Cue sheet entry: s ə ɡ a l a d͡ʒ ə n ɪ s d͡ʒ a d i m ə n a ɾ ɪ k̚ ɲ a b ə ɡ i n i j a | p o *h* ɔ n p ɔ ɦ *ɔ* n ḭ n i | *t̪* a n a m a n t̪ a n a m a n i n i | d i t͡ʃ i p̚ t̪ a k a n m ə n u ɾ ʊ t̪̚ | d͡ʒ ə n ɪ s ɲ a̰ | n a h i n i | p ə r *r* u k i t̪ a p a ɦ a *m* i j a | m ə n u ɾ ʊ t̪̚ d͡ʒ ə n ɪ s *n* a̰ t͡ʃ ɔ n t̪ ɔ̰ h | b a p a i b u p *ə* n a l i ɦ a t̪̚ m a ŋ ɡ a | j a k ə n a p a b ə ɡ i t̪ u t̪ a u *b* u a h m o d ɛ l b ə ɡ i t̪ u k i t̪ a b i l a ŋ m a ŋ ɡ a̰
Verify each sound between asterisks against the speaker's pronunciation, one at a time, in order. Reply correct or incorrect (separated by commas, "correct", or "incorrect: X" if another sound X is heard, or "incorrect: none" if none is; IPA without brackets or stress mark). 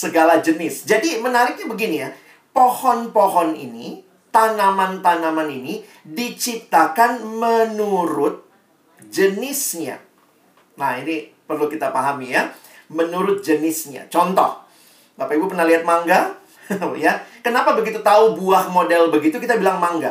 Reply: correct, correct, correct, incorrect: l, correct, incorrect: ɲ, correct, correct